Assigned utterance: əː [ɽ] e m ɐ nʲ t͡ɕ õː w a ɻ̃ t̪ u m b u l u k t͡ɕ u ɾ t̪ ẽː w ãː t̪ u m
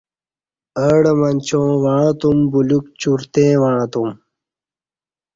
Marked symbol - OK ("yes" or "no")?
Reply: yes